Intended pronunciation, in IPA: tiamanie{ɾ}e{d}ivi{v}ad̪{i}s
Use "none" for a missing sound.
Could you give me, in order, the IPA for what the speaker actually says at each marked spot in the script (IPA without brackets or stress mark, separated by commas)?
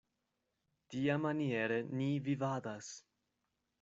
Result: ɾ, n, v, a